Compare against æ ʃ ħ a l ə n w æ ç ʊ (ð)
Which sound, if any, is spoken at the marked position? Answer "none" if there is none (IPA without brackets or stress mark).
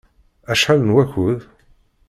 ð